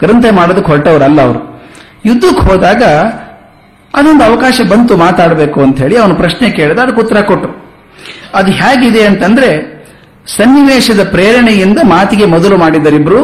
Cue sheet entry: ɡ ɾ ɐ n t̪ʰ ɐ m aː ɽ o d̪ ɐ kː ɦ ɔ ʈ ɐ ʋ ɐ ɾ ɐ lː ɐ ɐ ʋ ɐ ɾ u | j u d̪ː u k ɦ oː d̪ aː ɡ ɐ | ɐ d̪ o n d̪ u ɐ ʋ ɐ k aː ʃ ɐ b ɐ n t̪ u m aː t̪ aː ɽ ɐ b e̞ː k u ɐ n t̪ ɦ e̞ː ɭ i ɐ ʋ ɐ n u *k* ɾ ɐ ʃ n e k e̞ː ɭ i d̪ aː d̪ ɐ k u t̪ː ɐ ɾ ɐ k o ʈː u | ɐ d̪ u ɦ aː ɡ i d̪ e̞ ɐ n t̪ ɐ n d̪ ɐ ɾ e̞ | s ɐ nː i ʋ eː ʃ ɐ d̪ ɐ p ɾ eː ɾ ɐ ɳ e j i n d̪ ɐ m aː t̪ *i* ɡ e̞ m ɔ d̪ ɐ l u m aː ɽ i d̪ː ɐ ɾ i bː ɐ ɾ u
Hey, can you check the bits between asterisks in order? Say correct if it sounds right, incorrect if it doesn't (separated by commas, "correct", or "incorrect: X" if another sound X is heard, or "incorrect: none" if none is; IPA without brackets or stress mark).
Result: incorrect: p, correct